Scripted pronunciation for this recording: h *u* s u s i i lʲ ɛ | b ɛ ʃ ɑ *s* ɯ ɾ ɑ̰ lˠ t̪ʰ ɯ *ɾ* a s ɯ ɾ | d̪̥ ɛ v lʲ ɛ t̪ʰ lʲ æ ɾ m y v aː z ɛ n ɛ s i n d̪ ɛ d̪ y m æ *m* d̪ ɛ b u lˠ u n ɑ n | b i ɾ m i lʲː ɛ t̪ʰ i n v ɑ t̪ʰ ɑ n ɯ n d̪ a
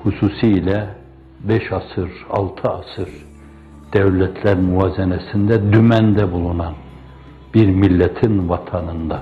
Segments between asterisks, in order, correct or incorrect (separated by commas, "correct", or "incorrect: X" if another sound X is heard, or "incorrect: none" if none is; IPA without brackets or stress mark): correct, correct, incorrect: none, incorrect: n